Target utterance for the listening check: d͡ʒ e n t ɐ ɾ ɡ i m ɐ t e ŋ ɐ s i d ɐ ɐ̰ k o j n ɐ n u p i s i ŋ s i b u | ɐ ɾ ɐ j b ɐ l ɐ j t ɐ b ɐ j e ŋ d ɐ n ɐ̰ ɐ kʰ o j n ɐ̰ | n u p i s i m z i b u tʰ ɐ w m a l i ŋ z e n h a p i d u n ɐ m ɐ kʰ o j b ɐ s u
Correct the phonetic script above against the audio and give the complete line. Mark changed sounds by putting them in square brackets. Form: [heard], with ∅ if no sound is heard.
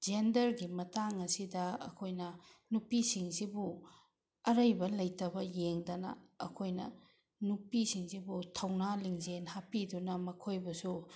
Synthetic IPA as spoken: d͡ʒ e n [d] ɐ ɾ ɡ i m ɐ t [a] ŋ ɐ s i d ɐ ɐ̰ [kʰ] o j n ɐ n u p i s i ŋ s i b u | ɐ ɾ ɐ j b ɐ l ɐ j t ɐ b ɐ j e ŋ d ɐ n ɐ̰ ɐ kʰ o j n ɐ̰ | n u p i s i [ŋ] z i b u tʰ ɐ w [n] a l i ŋ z e n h a p i d u n ɐ m ɐ kʰ o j b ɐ s u